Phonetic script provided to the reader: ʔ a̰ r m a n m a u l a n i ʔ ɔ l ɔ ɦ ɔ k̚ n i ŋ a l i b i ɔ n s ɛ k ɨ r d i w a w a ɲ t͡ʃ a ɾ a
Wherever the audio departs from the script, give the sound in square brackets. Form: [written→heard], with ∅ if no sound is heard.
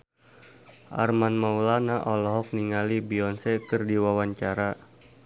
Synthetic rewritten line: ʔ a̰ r m a n m a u l a n [i→a] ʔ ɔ l ɔ ɦ ɔ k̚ n i ŋ a l i b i ɔ n s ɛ k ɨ r d i w a w a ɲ t͡ʃ a ɾ a

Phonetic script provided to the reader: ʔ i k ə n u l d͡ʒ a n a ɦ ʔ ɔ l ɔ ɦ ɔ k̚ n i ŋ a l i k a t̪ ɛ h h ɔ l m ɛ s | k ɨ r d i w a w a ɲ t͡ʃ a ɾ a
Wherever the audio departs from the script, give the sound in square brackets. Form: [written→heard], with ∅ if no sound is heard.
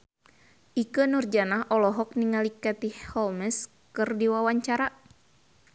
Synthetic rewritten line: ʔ i k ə n u [l→r] d͡ʒ a n a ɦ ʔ ɔ l ɔ ɦ ɔ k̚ n i ŋ a l i k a t̪ [ɛ→i] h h ɔ l m ɛ s | k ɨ r d i w a w a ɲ t͡ʃ a ɾ a

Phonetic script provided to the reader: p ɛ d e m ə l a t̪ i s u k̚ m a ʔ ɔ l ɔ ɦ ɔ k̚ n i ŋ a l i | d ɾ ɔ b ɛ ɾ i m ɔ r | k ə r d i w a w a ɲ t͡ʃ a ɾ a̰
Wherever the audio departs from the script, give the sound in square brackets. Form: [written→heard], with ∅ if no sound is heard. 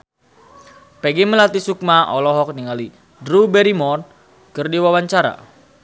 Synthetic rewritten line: p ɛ [d→ɡ] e m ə l a t̪ i s u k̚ m a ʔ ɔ l ɔ ɦ ɔ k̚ n i ŋ a l i | d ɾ [ɔ→u] b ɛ ɾ i m ɔ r | k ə r d i w a w a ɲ t͡ʃ a ɾ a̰

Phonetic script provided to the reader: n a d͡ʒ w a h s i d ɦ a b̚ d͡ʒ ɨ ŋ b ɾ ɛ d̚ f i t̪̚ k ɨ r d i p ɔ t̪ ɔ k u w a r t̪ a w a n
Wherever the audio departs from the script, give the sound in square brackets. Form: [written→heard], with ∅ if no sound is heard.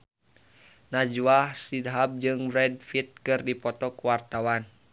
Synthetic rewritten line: n a d͡ʒ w a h s i d ɦ a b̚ d͡ʒ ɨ ŋ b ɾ ɛ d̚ f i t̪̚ k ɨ r d i p ɔ t̪ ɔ k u w a r t̪ a w a n

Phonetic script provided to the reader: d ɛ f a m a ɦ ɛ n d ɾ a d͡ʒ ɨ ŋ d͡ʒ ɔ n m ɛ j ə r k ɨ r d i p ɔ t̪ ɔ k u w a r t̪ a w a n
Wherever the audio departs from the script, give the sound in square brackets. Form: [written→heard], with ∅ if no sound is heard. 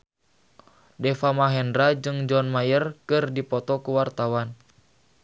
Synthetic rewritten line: d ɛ f a m a ɦ ɛ n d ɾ a d͡ʒ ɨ ŋ d͡ʒ ɔ n m [ɛ→a] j ə r k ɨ r d i p ɔ t̪ ɔ k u w a r t̪ a w a n

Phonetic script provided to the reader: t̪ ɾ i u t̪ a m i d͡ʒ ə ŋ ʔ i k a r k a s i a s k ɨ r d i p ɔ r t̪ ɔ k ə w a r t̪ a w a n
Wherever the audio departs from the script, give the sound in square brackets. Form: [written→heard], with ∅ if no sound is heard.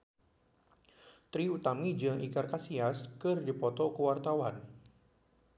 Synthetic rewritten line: t̪ ɾ i u t̪ a m i d͡ʒ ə ŋ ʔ i k a r k a s i a s k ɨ r d i p ɔ [r→∅] t̪ ɔ k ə w a r t̪ a w a n

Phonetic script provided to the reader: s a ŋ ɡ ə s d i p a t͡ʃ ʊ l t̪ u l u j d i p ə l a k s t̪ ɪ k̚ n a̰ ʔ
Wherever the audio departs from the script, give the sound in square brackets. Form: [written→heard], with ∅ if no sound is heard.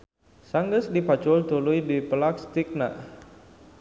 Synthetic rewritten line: s a ŋ ɡ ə s d i p a t͡ʃ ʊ l t̪ u l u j d i p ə l a k s t̪ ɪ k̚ n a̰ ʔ

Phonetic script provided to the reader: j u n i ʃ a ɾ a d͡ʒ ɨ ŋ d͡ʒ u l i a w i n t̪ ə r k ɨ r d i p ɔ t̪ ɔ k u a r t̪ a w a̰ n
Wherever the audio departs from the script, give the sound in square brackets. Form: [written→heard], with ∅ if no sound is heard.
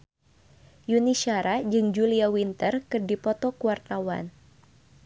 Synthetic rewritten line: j u n i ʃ a ɾ a d͡ʒ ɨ ŋ d͡ʒ u l i a w i n t̪ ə r k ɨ r d i p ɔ t̪ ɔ k u a r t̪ a w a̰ n

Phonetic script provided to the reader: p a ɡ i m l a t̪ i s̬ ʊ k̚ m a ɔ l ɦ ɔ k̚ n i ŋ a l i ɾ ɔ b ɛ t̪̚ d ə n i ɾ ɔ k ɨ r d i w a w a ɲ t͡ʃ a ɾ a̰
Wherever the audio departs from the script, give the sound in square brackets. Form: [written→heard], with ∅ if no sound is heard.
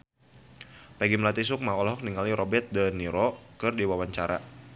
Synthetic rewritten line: p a ɡ i m l a t̪ i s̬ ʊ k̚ m a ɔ l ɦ ɔ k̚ n i ŋ a l i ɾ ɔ b ɛ t̪̚ d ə n i ɾ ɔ k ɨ r d i w a w a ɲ t͡ʃ a ɾ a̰

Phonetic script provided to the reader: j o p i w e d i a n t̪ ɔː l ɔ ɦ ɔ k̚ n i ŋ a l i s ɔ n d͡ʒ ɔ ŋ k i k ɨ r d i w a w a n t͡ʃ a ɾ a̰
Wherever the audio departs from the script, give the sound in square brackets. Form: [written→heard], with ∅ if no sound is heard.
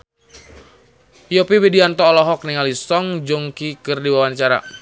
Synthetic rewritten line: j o p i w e d i a n t̪ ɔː l ɔ ɦ ɔ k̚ n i ŋ a l i s ɔ [n→ŋ] d͡ʒ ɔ ŋ k i k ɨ r d i w a w a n t͡ʃ a ɾ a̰

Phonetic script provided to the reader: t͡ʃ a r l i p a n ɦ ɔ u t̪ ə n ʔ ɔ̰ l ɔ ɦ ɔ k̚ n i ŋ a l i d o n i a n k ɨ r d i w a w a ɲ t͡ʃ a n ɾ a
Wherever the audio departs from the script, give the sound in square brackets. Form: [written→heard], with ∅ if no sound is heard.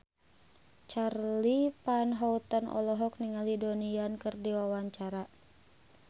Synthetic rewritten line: t͡ʃ a r l i p a n ɦ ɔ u t̪ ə n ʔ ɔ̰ l ɔ ɦ ɔ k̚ n i ŋ a l i d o n i a n k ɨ r d i w a w a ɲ t͡ʃ a [n→∅] ɾ a

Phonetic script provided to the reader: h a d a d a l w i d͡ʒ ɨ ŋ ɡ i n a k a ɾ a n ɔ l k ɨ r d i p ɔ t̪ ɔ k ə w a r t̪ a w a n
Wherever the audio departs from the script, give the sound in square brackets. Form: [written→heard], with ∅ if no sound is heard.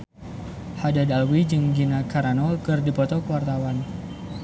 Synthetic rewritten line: h a d a d a l w i d͡ʒ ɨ ŋ ɡ i n a k a ɾ a n ɔ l k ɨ r d i p ɔ t̪ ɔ k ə w a r t̪ a w a n

